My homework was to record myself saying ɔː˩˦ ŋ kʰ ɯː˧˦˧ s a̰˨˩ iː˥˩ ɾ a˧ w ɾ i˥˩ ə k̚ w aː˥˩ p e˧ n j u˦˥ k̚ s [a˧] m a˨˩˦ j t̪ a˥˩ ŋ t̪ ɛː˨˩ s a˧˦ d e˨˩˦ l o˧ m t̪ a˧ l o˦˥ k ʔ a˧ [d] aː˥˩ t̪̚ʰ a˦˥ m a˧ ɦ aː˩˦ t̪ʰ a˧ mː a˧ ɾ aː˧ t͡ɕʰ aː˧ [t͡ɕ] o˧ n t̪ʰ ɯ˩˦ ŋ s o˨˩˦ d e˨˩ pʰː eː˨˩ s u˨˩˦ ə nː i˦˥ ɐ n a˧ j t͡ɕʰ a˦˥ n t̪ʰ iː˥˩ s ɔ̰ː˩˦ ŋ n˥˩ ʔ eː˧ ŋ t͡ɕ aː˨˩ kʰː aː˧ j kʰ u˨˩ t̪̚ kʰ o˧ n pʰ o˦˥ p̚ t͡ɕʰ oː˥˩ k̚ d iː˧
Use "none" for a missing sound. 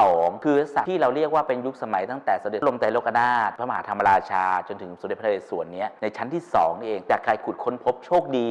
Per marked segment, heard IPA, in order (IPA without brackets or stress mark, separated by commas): a˧, n, t͡ɕ